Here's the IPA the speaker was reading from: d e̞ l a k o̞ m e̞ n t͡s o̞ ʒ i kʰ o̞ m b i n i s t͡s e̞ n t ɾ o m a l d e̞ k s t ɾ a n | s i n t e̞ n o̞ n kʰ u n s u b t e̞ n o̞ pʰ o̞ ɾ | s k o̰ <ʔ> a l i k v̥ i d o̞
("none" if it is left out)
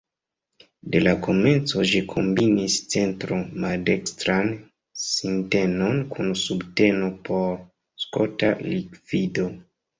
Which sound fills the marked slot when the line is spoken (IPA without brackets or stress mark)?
t